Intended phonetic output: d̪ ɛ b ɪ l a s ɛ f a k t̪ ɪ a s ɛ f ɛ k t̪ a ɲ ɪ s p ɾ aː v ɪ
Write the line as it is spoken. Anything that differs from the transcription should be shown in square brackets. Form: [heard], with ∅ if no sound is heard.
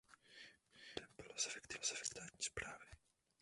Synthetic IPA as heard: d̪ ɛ b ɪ l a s ɛ f [ɛ] k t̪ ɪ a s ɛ f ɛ k t̪ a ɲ [i] s p ɾ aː v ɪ